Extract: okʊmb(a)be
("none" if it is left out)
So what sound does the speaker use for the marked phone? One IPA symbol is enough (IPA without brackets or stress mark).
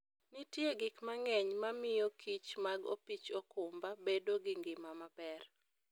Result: a